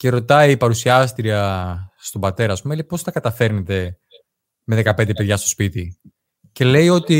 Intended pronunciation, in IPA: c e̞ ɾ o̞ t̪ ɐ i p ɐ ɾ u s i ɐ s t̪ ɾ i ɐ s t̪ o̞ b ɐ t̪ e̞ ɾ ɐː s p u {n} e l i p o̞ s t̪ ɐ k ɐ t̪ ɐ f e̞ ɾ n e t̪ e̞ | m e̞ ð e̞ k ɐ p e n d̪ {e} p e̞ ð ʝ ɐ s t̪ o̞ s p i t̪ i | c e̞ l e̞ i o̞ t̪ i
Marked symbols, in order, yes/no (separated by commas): no, yes